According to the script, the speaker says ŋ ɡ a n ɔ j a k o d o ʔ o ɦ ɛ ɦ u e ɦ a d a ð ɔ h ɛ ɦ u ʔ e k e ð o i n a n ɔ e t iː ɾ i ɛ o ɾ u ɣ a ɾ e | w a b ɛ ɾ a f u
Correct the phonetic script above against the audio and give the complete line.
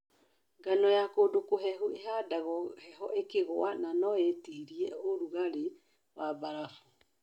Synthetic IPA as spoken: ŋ ɡ a n ɔ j a k o d o k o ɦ ɛ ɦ u e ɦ a d a ɣ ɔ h ɛ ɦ ɔ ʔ e k e ɣ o a n a n ɔ e t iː ɾ i ɛ o ɾ u ɣ a ɾ e | w a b a ɾ a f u